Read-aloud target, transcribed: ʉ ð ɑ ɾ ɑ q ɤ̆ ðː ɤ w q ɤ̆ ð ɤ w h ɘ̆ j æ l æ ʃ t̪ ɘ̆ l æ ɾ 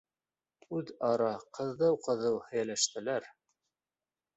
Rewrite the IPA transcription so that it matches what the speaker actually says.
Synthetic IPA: ʉ ð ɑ ɾ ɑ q ɤ̆ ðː ɤ w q ɤ̆ ð ɤ w h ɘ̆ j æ l æ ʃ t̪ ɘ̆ l æ ɾ

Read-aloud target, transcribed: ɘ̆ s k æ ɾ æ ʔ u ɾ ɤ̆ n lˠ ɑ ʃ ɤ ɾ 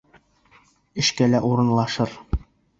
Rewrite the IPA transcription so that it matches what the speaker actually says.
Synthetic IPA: ɘ̆ ʃ k æ l æ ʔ u ɾ ɤ̆ n lˠ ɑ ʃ ɤ ɾ

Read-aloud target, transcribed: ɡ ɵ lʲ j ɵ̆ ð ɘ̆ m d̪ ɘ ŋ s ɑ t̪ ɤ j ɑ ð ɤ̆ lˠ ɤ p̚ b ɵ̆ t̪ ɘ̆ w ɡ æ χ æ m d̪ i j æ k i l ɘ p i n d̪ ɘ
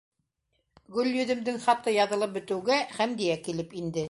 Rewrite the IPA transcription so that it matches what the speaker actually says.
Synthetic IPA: ɡ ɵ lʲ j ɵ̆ ð ɘ̆ m d̪ ɘ ŋ χ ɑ t̪ ɤ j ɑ ð ɤ̆ lˠ ɤ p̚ b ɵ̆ t̪ ɘ̆ w ɡ æ χ æ m d̪ i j æ k i l ɘ p i n d̪ ɘ

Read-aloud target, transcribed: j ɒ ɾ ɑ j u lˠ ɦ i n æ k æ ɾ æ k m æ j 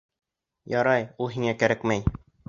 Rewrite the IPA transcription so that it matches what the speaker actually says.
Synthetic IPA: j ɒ ɾ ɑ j u lˠ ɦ i ŋ æ k æ ɾ æ k m æ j

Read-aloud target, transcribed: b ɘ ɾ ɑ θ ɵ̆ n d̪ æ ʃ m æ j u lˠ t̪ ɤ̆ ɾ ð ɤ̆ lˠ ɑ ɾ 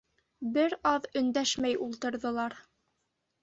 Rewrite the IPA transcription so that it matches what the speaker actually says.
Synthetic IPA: b ɘ ɾ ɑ ð ɵ̆ n d̪ æ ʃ m æ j u lˠ t̪ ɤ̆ ɾ ð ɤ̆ lˠ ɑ ɾ

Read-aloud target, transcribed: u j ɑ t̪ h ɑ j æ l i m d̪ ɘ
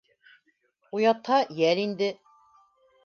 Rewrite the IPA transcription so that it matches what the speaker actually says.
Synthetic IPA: u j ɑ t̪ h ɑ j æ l i n d̪ ɘ

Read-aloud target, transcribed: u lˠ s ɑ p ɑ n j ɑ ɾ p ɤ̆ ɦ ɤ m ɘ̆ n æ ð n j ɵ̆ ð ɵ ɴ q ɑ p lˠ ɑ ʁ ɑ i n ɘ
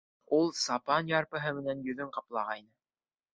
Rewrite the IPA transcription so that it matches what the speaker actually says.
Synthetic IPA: u lˠ s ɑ p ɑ n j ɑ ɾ p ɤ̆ ɦ ɤ m ɘ̆ n æ n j ɵ̆ ð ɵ ɴ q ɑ p lˠ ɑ ʁ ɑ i n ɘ

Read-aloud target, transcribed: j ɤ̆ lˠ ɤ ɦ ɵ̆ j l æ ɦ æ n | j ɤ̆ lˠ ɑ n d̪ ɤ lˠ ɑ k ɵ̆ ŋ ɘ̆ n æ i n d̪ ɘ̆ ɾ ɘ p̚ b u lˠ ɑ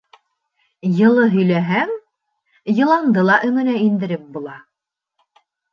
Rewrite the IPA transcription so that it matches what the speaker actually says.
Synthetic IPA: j ɤ̆ lˠ ɤ ɦ ɵ̆ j l æ ɦ æ ŋ | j ɤ̆ lˠ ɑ n d̪ ɤ lˠ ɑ ʔ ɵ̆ ŋ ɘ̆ n æ i n d̪ ɘ̆ ɾ ɘ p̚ b u lˠ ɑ

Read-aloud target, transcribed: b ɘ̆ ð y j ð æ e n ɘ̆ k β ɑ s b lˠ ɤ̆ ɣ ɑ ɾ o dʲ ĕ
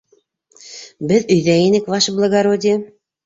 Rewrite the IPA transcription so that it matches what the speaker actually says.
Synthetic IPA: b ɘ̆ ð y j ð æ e n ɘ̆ k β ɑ ʃ b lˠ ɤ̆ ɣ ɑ ɾ o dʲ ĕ

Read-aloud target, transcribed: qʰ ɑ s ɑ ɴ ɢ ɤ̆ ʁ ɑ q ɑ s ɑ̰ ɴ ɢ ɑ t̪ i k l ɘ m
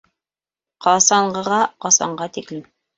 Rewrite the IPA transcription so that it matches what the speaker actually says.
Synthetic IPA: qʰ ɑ s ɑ ɴ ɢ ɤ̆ ʁ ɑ q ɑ s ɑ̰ ɴ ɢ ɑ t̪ i k l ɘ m

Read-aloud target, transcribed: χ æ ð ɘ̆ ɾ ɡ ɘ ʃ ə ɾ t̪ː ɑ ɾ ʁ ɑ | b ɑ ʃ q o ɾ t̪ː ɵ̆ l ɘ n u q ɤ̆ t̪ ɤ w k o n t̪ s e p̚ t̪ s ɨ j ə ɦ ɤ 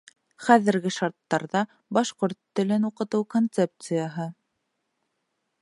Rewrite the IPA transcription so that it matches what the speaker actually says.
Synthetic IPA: χ æ ð ɘ̆ ɾ ɡ ɘ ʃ ɑ ɾ t̪ː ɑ ɾ ð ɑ | b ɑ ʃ q o ɾ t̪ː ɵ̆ l ɘ n u q ɤ̆ t̪ ɤ w k o n t̪ s e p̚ t̪ s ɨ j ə ɦ ɤ

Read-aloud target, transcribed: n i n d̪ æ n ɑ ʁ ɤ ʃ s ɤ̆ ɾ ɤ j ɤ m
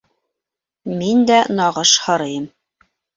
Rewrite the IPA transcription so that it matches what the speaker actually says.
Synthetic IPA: m i n d̪ æ n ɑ ʁ ɤ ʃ h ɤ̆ ɾ ɤ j ɤ m

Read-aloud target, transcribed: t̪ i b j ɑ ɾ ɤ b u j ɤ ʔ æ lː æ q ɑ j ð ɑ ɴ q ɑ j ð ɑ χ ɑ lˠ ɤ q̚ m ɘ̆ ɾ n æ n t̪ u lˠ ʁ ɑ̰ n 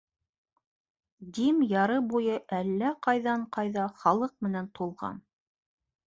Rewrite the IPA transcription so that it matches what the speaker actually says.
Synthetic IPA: d̪ i m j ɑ ɾ ɤ b u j ɤ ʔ æ lː æ q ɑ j ð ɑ ɴ q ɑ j ð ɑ χ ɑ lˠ ɤ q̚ m ɘ̆ n æ n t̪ u lˠ ʁ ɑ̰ n

